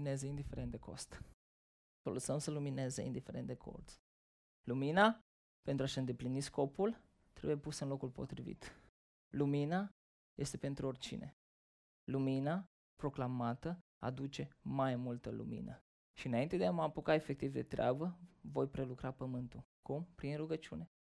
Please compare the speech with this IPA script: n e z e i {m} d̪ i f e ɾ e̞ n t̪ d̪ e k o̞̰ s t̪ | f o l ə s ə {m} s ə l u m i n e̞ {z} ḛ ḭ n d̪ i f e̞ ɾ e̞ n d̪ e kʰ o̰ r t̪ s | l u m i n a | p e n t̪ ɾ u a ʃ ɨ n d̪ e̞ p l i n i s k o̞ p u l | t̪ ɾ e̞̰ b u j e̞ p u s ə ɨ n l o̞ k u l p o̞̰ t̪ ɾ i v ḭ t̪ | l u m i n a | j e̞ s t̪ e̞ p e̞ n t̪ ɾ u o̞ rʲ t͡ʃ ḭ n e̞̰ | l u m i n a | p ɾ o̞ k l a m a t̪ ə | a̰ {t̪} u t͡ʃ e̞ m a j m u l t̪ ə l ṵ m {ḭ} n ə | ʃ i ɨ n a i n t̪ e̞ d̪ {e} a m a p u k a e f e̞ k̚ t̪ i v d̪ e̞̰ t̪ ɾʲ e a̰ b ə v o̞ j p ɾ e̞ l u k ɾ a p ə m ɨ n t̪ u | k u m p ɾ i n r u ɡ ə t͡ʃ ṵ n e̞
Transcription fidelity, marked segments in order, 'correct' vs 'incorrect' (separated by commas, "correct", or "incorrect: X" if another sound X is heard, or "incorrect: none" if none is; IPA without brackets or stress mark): incorrect: n, correct, correct, incorrect: d̪, correct, correct